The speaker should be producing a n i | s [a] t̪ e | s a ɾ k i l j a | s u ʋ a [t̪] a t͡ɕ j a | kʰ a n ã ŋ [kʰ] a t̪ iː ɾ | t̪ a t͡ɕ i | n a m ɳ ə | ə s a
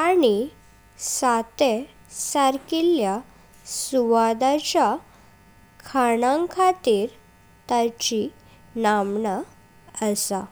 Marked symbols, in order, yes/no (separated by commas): yes, no, yes